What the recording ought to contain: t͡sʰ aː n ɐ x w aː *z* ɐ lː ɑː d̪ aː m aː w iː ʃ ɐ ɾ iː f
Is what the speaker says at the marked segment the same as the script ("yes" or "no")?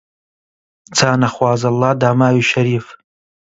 yes